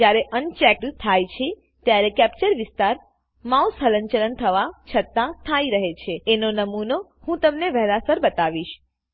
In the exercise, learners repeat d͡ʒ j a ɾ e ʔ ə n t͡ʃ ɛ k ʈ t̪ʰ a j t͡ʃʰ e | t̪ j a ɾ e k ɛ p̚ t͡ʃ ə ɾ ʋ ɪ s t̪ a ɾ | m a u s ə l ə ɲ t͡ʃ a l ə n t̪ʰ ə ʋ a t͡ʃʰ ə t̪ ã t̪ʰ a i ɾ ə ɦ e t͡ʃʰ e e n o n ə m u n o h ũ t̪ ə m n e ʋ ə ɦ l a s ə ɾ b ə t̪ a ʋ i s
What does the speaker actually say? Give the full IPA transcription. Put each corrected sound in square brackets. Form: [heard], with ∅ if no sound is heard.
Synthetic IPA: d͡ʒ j a ɾ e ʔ ə n t͡ʃ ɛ k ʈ t̪ʰ a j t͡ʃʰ e | t̪ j a ɾ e k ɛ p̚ t͡ʃ ə ɾ ʋ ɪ s t̪ a ɾ | m a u s ə l ə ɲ t͡ʃ [ə] l ə n t̪ʰ ə ʋ a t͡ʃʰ ə t̪ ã t̪ʰ a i ɾ ə ɦ e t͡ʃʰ e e n o n ə m u n o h ũ t̪ ə m n e ʋ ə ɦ l a s ə ɾ b ə t̪ a ʋ i [ʃ]

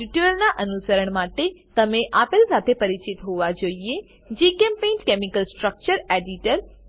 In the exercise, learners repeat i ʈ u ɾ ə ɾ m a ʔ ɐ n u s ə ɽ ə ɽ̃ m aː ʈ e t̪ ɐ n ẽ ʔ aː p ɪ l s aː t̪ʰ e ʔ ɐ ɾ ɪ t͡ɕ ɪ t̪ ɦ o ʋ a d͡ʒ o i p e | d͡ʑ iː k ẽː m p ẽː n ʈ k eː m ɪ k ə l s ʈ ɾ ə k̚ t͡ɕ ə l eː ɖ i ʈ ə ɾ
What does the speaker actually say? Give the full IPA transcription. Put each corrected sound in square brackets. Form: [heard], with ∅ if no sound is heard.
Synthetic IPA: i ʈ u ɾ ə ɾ [n] a ʔ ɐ n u s ə [ɾ] ə ɽ̃ m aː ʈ e t̪ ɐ [m] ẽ ʔ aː p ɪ l s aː t̪ʰ e [p] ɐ ɾ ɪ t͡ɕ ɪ t̪ ɦ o ʋ a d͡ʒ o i [∅] e | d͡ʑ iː k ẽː m p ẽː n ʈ k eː m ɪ k ə l s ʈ ɾ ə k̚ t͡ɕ ə [ɾ] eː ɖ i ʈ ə ɾ

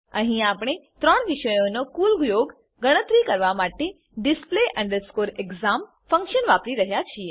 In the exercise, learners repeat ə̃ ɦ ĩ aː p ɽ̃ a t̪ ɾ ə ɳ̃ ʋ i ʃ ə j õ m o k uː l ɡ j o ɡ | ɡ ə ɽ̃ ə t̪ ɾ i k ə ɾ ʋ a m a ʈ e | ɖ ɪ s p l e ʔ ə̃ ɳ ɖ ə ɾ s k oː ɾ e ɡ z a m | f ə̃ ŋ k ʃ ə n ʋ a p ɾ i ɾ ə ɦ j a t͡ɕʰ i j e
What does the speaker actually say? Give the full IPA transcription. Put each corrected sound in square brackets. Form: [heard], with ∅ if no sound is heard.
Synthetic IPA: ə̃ ɦ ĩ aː p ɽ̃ [e] t̪ ɾ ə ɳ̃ ʋ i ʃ ə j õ [n] o k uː l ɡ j o ɡ | ɡ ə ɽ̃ ə t̪ ɾ i k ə ɾ ʋ a m a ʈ e | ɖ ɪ s p l e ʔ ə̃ ɳ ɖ ə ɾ s k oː ɾ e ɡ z a m | f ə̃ ŋ k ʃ ə n ʋ a p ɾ i ɾ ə ɦ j a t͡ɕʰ i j e

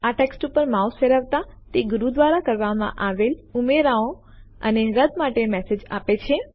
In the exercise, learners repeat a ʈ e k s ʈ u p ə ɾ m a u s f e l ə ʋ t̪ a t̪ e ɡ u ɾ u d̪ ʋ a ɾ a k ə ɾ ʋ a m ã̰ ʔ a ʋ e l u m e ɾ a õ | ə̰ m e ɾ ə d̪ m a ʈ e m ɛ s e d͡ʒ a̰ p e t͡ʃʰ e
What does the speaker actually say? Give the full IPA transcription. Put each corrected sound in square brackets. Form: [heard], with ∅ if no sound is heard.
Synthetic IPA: a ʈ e k s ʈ u p ə ɾ m a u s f e [ɾ] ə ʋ t̪ a t̪ e ɡ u ɾ u d̪ ʋ a ɾ a k ə ɾ ʋ a m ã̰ ʔ a ʋ e l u m e ɾ a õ | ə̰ [n] e ɾ ə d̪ m a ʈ e m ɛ s e d͡ʒ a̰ p e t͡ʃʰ e

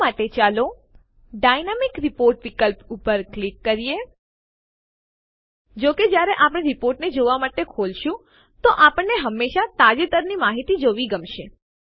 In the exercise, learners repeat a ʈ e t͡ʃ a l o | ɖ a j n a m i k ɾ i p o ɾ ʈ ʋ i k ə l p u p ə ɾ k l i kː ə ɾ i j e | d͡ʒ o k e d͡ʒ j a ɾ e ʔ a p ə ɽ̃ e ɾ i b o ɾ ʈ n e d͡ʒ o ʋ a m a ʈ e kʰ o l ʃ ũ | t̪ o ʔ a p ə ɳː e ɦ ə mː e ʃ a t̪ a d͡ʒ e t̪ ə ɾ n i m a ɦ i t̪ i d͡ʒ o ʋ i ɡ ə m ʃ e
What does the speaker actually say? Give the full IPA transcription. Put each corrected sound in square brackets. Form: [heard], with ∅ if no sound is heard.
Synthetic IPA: a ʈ e t͡ʃ a l o | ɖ a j n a m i k ɾ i p o ɾ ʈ ʋ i k ə l p u p ə ɾ k l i kː ə ɾ i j e | d͡ʒ o k e d͡ʒ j a ɾ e ʔ a p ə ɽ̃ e ɾ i [p] o ɾ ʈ n e d͡ʒ o ʋ a m a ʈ e kʰ o l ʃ ũ | t̪ o ʔ a p ə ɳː e ɦ ə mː e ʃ a t̪ a d͡ʒ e t̪ ə ɾ n i m a ɦ i t̪ i d͡ʒ o ʋ i ɡ ə m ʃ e

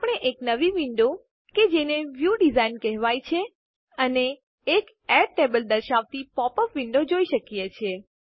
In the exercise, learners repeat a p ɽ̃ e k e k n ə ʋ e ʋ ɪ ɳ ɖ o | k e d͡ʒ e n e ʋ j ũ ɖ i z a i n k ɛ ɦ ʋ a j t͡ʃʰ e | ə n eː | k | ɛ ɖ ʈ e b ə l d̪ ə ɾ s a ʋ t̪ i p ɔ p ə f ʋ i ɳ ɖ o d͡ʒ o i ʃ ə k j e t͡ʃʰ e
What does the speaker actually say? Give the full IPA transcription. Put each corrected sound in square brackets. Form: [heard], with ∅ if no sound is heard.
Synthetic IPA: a p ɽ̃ e [ʔ] e k n ə ʋ [i] ʋ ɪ ɳ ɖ o | k e d͡ʒ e n e ʋ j [u] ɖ i z a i n k ɛ ɦ ʋ a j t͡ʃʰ e | ə n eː | k | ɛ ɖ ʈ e b ə l d̪ ə ɾ [ʃ] a ʋ t̪ i p ɔ p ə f ʋ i ɳ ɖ o d͡ʒ o i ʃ ə k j e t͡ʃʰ e

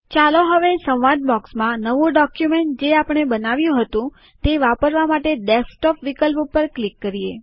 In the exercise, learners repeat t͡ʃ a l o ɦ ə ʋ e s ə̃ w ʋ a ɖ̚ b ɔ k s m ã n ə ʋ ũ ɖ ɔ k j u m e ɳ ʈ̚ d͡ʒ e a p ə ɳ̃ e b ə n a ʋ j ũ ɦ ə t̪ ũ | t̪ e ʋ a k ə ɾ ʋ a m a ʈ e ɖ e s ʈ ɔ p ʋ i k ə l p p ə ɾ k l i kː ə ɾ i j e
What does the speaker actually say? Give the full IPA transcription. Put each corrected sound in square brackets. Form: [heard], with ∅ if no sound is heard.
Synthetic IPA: t͡ʃ a l o ɦ ə ʋ e s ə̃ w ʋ a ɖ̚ b ɔ k s m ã n ə ʋ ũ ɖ ɔ k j u m e ɳ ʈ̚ d͡ʒ e a p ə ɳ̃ e b ə n a ʋ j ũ ɦ ə t̪ ũ | t̪ e ʋ a [p] ə ɾ ʋ a m a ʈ e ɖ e s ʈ ɔ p ʋ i k ə l p p ə ɾ k l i kː ə ɾ i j e

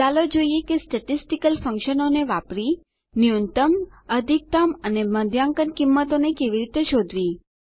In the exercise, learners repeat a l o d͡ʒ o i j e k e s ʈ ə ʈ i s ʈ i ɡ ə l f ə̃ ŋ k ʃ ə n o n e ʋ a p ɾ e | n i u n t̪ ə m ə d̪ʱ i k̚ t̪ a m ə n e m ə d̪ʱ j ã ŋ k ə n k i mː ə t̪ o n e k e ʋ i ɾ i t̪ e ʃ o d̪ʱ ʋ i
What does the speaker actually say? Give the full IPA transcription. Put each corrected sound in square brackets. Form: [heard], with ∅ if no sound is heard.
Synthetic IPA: a l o d͡ʒ o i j e k e s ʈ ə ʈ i s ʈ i [k] ə l f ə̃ ŋ k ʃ ə n o n e ʋ a p ɾ [i] | n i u n t̪ ə m ə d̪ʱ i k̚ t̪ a m ə n e m ə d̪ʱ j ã ŋ k ə n k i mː ə t̪ o n e k e ʋ i ɾ i t̪ e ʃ o d̪ʱ ʋ i

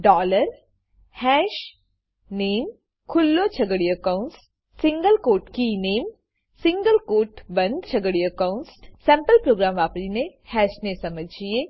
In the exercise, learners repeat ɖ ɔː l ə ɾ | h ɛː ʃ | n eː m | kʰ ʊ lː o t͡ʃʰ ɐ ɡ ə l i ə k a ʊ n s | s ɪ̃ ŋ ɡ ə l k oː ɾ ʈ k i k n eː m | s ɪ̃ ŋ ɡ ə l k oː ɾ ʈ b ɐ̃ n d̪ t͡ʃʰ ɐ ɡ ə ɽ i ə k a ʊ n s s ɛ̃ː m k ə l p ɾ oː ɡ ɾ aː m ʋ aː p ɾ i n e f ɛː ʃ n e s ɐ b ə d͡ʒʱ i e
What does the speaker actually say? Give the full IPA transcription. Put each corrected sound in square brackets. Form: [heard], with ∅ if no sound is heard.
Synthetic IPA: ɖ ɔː l ə ɾ | h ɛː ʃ | n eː m | kʰ ʊ lː o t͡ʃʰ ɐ ɡ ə [ɽ] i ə k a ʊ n s | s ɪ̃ ŋ ɡ ə l k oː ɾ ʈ k i [∅] n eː m | s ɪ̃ ŋ ɡ ə l k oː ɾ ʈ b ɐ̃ n d̪ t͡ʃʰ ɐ ɡ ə ɽ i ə k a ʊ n s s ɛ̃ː m [p] ə l p ɾ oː ɡ ɾ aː m ʋ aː p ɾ i n e [h] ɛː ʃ n e s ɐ [m] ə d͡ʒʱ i e

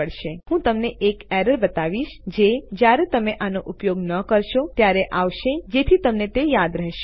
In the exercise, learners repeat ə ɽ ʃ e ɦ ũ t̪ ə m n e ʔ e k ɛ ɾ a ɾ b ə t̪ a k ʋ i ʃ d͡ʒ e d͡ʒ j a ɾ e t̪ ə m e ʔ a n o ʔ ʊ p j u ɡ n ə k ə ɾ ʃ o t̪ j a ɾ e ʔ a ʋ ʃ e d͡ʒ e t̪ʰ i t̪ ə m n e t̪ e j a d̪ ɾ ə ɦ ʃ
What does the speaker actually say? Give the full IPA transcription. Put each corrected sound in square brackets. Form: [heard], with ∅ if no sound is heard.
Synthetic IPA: ə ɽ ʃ e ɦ ũ t̪ ə m n e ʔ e k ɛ ɾ [ə] ɾ b ə t̪ a [∅] ʋ i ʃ d͡ʒ e d͡ʒ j a ɾ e t̪ ə m e ʔ a n o ʔ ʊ p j [o] ɡ n ə k ə ɾ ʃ o t̪ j a ɾ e ʔ a ʋ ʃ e d͡ʒ e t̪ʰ i t̪ ə m n e t̪ e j a d̪ ɾ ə ɦ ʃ

